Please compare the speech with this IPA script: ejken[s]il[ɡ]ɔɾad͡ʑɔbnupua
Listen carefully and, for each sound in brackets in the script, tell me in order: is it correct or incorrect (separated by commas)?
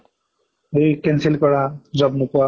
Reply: correct, incorrect